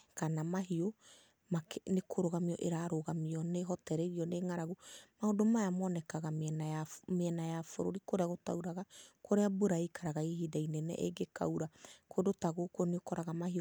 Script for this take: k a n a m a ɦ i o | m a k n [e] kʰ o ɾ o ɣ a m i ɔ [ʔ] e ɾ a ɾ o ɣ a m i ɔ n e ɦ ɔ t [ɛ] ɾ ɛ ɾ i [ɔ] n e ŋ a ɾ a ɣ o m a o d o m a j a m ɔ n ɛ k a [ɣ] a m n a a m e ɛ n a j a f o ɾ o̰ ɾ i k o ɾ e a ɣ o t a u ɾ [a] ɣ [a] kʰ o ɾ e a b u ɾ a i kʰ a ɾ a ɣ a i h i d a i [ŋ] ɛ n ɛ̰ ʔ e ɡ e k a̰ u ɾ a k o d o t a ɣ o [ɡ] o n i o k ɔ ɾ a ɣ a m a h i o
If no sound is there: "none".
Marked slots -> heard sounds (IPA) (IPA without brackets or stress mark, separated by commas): e, ʔ, ɛ, ɔ, ɣ, a, a, n, k